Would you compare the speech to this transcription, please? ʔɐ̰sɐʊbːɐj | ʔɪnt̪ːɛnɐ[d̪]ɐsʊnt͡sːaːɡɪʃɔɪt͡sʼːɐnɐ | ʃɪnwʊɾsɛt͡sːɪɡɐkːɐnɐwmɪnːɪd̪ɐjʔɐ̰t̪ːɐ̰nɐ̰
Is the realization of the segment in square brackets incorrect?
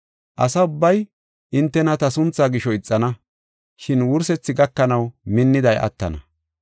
yes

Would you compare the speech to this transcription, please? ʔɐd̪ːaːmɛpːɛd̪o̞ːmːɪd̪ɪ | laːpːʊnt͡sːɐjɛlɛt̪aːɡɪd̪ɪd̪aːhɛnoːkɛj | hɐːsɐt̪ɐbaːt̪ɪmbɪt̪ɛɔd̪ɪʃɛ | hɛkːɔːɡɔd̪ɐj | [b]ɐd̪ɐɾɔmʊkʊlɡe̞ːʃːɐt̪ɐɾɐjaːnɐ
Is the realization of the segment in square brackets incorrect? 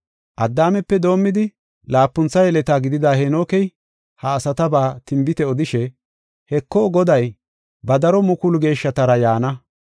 no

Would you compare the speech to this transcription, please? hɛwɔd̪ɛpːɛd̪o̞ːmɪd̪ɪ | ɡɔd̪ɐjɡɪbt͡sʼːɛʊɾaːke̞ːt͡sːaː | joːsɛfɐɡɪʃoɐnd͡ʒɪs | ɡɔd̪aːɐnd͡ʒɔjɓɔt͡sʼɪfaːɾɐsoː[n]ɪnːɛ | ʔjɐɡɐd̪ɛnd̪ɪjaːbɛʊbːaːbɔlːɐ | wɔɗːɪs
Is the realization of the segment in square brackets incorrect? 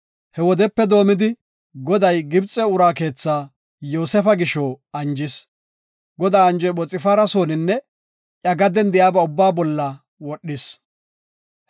no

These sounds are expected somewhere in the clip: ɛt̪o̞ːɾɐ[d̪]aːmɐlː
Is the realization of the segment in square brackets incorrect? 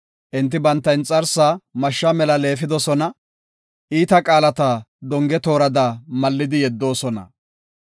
no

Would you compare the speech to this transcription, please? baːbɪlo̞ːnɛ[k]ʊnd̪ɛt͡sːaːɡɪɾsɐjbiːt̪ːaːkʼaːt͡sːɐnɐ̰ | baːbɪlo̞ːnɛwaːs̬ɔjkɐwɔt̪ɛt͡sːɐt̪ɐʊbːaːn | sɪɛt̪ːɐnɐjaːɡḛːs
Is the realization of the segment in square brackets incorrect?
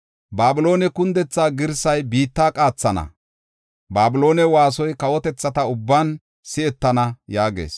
no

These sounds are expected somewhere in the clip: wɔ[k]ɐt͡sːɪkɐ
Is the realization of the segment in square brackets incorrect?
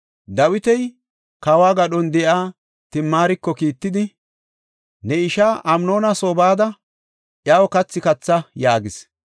no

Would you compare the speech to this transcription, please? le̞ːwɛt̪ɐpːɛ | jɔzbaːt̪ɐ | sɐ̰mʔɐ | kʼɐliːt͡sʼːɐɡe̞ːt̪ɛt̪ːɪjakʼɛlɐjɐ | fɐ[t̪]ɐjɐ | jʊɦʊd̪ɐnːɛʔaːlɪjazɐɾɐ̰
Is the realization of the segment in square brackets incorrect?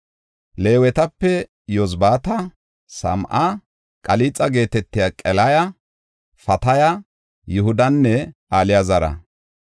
no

